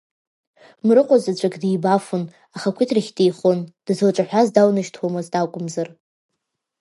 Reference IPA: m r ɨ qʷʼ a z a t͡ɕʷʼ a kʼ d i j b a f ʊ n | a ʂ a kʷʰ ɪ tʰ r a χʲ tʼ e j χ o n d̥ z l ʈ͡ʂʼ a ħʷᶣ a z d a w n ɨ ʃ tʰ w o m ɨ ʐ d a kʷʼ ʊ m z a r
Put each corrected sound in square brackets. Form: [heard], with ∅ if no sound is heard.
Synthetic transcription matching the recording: m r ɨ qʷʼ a z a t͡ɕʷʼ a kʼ d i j b a f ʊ n | a [χ] a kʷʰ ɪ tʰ r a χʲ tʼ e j χ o n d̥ z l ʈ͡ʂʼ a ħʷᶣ a z d a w n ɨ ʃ tʰ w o m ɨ [z] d a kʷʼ ʊ m z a r